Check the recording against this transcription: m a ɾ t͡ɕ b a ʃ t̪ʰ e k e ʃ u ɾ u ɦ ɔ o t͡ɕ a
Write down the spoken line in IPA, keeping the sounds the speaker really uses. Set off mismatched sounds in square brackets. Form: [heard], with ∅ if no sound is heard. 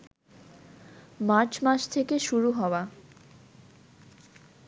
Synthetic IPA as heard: m a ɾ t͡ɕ [m] a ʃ t̪ʰ e k e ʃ u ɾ u ɦ ɔ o [∅] a